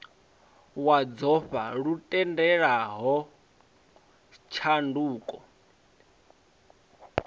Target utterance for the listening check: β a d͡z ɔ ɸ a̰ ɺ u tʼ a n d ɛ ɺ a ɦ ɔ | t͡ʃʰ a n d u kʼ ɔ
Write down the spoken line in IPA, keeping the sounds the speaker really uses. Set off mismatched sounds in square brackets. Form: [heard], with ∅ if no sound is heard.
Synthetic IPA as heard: [w] a d͡z ɔ ɸ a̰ ɺ u tʼ [ɛ] n d ɛ ɺ a ɦ ɔ | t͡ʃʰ a n d [uː] kʼ ɔ